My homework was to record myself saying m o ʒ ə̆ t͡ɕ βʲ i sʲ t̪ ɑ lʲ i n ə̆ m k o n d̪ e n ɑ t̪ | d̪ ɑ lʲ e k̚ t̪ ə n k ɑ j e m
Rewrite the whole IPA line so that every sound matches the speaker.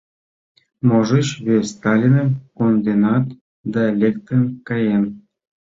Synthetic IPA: m o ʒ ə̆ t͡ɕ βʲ e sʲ t̪ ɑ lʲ i n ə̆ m k o n d̪ e n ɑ t̪ | d̪ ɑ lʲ e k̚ t̪ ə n k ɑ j e m